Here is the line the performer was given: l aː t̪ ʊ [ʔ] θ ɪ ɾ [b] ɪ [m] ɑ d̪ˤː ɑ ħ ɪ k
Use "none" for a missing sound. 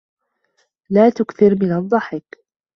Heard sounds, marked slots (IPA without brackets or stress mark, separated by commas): k, m, n